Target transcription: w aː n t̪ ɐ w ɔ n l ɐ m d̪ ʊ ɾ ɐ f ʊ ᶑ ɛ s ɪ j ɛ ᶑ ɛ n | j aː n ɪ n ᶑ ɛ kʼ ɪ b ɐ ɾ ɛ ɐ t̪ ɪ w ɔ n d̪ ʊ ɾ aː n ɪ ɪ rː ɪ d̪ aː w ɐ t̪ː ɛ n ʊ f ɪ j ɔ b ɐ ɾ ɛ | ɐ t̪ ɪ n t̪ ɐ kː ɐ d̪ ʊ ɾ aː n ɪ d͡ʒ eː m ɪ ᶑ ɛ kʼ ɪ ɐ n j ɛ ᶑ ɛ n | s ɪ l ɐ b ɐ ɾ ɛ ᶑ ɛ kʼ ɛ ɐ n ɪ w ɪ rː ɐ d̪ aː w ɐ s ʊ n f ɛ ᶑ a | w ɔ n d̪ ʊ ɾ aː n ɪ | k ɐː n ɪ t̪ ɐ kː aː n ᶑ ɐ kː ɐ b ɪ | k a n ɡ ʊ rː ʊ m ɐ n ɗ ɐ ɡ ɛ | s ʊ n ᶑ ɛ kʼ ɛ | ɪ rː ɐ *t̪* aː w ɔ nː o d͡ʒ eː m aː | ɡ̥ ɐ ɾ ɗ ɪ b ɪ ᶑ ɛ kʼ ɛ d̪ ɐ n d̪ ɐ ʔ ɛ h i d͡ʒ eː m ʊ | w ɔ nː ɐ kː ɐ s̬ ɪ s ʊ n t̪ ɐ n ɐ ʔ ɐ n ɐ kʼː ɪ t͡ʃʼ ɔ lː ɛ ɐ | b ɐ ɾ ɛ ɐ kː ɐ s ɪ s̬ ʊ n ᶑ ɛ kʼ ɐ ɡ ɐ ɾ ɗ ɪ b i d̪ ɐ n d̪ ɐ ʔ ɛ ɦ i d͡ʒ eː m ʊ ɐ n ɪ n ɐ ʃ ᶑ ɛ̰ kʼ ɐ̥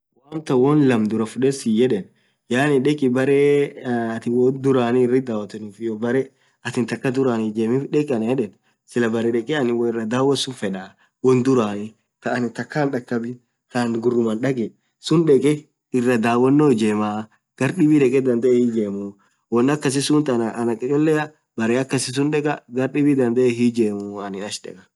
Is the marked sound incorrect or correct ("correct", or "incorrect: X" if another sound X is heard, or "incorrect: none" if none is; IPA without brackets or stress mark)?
incorrect: d̪